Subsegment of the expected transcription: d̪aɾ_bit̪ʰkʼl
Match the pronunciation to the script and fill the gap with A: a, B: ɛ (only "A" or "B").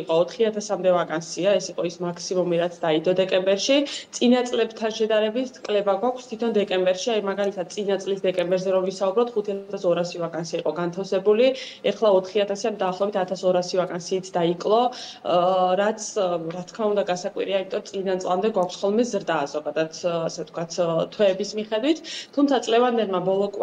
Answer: B